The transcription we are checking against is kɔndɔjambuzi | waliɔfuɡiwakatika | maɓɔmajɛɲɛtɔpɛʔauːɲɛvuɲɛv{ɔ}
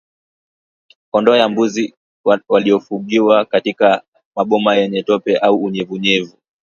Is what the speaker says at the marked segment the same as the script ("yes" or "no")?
no